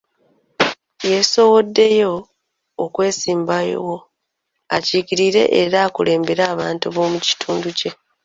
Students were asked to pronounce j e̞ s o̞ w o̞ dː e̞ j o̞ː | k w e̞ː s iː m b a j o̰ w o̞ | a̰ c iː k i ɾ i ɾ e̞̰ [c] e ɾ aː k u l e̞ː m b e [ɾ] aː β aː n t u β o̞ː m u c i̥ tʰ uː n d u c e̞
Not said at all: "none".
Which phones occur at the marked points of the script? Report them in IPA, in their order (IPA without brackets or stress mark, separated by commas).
ʔ, ɾ